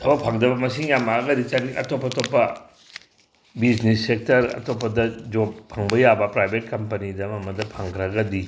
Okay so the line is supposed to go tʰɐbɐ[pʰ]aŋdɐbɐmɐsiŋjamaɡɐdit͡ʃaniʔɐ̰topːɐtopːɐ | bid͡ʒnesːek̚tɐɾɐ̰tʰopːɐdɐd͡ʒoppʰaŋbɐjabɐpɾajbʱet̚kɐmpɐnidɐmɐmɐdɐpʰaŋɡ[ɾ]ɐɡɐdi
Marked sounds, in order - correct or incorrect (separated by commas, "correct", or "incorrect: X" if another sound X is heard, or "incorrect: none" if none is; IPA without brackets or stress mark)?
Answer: correct, correct